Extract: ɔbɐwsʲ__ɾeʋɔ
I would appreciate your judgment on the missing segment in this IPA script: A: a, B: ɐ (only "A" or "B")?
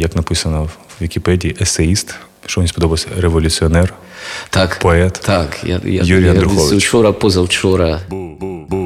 B